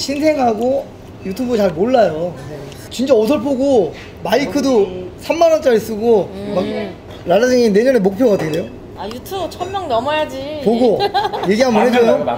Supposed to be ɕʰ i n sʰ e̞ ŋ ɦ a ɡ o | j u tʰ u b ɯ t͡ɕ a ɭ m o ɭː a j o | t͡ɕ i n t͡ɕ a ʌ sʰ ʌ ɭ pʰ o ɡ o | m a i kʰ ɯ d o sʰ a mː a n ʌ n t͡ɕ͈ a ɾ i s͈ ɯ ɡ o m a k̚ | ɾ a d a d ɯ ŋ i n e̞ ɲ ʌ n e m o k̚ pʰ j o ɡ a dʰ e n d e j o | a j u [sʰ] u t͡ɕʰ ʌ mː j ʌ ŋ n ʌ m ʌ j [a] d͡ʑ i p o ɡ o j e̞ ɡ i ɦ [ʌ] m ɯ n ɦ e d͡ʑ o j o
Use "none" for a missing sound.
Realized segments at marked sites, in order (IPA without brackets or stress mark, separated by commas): tʰ, a, a